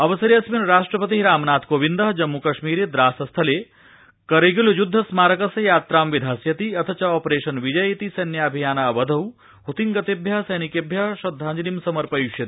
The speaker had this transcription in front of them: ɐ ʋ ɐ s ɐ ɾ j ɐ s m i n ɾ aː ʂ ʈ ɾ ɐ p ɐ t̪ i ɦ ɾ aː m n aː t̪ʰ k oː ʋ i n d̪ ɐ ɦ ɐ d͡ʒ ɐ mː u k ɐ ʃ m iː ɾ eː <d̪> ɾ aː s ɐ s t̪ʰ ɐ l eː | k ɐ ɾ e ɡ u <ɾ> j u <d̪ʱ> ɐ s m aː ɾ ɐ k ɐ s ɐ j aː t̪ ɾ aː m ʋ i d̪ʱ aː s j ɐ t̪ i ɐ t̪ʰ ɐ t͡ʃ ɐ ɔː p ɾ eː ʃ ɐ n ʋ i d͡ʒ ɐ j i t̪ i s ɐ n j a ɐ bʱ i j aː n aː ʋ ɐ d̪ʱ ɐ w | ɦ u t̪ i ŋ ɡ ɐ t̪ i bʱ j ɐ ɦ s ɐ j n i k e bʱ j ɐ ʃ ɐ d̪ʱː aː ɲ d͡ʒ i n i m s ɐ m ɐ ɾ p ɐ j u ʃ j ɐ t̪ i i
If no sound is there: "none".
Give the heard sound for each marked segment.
d̪, l, d̪ʱː

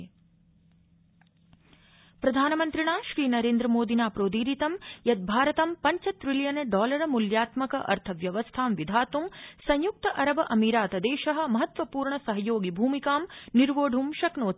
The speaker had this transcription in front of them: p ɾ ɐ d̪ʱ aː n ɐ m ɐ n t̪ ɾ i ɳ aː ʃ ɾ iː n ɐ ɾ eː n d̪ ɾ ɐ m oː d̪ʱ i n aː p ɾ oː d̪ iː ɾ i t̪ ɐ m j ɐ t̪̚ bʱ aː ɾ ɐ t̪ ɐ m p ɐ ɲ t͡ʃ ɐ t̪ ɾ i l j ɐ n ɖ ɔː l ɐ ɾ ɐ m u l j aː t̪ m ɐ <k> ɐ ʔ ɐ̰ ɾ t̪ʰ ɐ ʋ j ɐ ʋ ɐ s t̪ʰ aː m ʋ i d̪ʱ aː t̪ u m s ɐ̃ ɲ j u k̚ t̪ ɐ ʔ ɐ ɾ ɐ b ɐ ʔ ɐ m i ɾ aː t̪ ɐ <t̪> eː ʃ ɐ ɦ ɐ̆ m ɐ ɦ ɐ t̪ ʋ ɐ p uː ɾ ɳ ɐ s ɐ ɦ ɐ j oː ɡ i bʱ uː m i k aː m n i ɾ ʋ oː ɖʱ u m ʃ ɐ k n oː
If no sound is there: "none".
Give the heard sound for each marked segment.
k, d̪

